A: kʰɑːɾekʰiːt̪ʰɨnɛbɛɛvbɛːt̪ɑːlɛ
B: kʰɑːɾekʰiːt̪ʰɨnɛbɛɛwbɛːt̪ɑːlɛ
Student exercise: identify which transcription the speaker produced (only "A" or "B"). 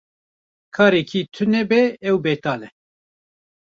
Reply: B